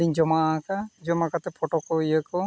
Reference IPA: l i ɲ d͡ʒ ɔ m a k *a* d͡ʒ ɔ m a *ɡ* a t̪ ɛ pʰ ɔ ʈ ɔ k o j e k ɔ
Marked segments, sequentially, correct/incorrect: correct, incorrect

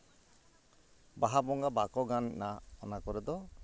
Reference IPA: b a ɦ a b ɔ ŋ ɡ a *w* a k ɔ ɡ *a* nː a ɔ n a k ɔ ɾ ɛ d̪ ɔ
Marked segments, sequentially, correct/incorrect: incorrect, correct

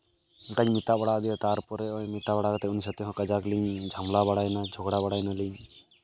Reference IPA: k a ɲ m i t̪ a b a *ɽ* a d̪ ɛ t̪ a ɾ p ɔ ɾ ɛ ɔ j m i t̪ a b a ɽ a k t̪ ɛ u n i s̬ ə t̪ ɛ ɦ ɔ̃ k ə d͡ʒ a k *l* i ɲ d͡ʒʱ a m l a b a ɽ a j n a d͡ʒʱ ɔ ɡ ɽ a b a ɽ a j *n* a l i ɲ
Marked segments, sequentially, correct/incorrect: correct, correct, correct

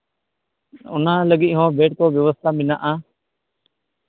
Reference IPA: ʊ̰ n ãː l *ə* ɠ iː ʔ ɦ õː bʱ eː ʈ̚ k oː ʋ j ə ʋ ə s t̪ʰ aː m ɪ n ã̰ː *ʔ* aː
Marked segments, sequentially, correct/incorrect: correct, correct

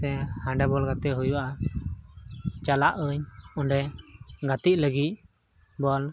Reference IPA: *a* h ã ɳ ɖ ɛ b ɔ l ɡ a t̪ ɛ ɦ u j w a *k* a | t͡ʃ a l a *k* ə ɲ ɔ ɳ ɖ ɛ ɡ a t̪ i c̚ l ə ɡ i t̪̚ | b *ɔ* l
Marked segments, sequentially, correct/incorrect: incorrect, incorrect, incorrect, correct

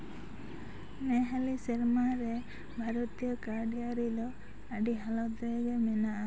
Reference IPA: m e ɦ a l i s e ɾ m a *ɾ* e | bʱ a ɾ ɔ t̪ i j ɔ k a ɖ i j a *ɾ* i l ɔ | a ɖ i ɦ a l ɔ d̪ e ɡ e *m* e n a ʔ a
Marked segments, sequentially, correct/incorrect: correct, correct, correct

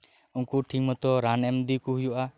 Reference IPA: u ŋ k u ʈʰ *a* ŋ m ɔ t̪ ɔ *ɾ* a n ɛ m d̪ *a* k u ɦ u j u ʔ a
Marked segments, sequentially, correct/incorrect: incorrect, correct, incorrect

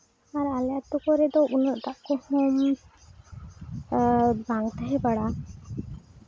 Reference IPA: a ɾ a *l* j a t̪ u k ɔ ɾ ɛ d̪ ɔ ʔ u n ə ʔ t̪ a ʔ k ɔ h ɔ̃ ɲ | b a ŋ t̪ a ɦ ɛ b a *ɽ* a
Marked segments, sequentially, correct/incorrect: correct, correct

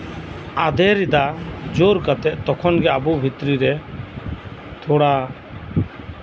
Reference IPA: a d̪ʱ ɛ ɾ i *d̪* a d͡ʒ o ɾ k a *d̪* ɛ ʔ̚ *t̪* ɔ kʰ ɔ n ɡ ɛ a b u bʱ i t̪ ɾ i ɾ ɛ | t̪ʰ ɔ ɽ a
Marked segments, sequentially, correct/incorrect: correct, incorrect, correct

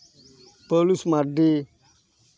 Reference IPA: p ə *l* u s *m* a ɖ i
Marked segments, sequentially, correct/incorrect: correct, correct

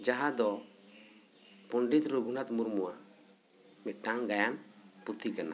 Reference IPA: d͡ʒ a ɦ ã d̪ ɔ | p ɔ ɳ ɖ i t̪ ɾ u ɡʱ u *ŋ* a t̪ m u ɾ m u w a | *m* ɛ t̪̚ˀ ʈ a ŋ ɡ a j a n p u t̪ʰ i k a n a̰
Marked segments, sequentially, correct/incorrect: incorrect, correct

